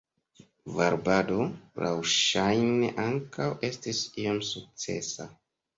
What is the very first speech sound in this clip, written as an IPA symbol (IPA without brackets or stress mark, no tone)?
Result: v